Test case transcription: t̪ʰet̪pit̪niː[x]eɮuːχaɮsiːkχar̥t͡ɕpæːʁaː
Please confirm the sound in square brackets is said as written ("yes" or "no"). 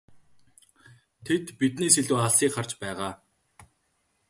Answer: no